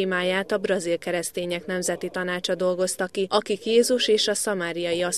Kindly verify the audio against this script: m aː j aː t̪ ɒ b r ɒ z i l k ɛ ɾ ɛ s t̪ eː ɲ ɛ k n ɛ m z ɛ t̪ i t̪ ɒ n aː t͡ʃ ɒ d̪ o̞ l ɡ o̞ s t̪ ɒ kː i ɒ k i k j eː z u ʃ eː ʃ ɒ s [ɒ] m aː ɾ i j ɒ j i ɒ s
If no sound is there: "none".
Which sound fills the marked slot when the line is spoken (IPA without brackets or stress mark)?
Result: ɒ